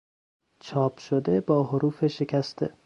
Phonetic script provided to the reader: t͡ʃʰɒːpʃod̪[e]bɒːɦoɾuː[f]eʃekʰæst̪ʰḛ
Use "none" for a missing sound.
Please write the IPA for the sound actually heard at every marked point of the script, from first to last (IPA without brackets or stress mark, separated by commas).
e, f